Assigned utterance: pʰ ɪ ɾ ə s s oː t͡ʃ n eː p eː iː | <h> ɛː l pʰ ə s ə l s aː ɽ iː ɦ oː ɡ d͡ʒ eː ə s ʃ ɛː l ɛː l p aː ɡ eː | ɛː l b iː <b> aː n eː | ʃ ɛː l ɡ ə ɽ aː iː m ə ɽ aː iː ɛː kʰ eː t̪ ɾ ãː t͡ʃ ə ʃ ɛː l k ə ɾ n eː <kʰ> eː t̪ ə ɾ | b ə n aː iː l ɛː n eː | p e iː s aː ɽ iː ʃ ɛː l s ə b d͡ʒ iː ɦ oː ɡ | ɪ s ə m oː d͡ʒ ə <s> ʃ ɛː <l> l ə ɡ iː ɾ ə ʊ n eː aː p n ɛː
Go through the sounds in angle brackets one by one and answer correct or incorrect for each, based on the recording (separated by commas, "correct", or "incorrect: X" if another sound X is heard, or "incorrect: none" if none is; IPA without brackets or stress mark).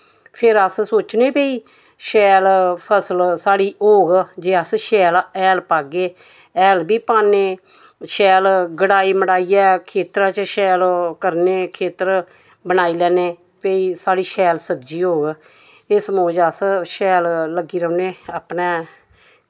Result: incorrect: ʃ, incorrect: p, correct, correct, correct